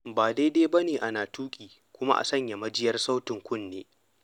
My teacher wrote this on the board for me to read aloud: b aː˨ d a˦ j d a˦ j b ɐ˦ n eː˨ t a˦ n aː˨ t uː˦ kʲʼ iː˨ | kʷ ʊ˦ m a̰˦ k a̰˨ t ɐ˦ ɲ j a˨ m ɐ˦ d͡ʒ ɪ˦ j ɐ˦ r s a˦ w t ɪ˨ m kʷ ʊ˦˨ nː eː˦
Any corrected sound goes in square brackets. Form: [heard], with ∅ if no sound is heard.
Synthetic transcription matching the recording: b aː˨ d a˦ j d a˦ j b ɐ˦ n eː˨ [ʔ] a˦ n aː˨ t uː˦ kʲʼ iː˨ | kʷ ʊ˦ m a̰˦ [ʔ] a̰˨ [s] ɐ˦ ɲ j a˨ m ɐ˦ d͡ʒ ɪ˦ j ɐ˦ r s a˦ w t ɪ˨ [ŋ] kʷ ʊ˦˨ nː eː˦

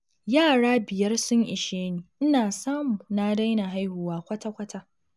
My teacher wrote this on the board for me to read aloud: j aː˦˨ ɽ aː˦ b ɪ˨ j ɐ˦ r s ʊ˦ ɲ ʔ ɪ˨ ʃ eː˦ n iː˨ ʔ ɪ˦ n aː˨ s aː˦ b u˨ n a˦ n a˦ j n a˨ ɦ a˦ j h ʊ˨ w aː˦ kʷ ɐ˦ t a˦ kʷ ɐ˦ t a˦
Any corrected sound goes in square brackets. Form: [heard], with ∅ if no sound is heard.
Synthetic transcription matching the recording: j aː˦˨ ɽ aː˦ b ɪ˨ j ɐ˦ r s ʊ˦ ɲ ʔ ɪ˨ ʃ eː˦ n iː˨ ʔ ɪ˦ n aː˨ s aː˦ [m] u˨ n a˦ [d] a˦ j n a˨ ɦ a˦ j h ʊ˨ w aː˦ kʷ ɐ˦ t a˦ kʷ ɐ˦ t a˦

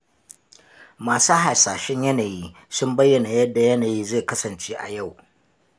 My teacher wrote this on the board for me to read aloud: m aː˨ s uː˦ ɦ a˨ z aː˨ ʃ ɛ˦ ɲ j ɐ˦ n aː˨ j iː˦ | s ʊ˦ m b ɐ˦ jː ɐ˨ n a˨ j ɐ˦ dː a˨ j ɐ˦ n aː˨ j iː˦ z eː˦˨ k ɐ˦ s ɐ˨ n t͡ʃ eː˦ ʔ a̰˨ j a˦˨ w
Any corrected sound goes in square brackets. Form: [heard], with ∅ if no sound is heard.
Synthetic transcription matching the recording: m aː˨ s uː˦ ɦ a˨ [s] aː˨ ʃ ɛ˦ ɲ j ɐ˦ n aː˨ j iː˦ | s ʊ˦ m b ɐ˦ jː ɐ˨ n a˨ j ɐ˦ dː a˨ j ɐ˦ n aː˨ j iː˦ z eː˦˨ k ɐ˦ s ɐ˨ n t͡ʃ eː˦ ʔ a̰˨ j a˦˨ w

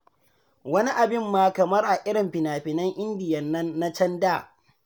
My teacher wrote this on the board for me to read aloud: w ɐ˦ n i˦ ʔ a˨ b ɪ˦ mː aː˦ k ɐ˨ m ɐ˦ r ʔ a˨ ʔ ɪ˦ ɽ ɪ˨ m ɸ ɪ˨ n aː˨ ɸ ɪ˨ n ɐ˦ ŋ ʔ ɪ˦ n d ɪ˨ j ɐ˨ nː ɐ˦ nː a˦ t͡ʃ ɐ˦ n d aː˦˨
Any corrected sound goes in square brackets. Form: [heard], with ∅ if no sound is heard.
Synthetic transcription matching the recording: w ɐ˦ n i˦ ʔ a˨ b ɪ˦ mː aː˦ k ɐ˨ m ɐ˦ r ʔ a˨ ʔ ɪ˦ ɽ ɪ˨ m ɸ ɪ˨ n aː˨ ɸ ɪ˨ n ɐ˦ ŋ ʔ ɪ˦ n d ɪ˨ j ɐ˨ nː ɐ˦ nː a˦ t͡ʃ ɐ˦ n d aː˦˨

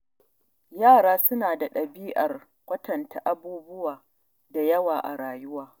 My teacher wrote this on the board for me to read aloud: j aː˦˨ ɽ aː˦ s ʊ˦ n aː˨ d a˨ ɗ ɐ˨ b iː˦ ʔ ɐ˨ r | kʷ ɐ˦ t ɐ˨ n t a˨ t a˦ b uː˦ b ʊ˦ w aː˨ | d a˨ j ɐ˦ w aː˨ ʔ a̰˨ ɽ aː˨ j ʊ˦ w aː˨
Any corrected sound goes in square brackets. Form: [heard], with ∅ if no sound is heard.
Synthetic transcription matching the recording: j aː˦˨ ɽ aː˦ s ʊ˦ n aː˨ d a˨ ɗ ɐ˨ b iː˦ ʔ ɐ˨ r | kʷ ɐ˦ t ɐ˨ n t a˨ [ʔ] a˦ b uː˦ b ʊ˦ w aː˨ | d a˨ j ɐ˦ w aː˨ ʔ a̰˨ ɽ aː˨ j ʊ˦ w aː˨

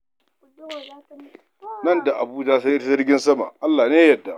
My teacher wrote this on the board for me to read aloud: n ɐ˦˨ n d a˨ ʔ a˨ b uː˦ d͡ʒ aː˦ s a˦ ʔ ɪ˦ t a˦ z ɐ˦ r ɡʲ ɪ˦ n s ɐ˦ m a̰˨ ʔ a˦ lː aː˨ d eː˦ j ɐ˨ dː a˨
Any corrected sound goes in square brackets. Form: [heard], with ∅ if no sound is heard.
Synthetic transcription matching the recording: n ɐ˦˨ n d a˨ ʔ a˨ b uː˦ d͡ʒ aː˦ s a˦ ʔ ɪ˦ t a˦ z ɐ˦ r ɡʲ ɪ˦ n s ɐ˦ m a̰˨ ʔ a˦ lː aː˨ [n] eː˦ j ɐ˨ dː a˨

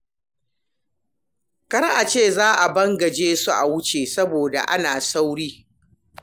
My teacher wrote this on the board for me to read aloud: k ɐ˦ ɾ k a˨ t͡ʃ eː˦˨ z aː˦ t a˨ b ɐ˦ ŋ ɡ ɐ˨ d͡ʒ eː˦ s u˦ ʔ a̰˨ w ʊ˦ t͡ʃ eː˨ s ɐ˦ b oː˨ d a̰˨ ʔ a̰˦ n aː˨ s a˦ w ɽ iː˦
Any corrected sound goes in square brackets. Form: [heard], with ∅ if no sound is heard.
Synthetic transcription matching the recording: k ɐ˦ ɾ [ʔ] a˨ t͡ʃ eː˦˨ z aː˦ [ʔ] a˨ b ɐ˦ ŋ ɡ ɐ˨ d͡ʒ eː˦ s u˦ ʔ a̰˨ w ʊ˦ t͡ʃ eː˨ s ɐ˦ b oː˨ d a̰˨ ʔ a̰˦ n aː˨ s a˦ w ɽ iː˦

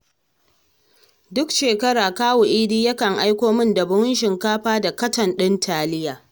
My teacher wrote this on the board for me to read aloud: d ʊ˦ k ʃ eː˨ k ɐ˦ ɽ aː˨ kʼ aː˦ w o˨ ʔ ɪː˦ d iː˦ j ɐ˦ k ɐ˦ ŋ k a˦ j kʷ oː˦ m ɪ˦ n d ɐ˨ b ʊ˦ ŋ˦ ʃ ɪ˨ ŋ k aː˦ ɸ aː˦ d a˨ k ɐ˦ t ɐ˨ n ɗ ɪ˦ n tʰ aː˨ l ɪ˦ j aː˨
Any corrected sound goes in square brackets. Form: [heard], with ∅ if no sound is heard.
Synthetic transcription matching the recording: d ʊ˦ k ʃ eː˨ k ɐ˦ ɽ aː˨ [k] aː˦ w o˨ ʔ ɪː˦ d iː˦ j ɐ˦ k [ɐ˨] ŋ [ʔ] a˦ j kʷ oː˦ m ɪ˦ n d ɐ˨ b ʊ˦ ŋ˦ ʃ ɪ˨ ŋ k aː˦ ɸ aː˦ d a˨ k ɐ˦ t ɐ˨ n ɗ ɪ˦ n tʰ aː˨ l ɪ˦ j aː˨

